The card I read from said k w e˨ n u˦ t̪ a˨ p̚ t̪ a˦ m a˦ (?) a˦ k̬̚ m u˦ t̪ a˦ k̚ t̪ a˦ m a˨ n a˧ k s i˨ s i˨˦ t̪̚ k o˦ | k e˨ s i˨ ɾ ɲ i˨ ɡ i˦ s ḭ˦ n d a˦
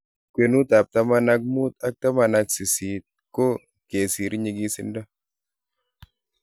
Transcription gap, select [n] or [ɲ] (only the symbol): n